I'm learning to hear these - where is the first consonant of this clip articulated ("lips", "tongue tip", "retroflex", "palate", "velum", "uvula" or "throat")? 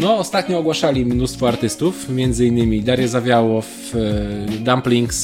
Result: tongue tip